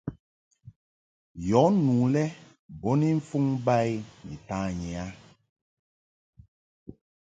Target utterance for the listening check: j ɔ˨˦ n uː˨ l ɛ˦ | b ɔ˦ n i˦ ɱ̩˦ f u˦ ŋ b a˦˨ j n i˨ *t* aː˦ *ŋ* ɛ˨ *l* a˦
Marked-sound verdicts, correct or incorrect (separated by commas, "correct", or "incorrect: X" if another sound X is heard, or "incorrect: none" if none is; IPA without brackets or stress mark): correct, incorrect: ɲ, incorrect: none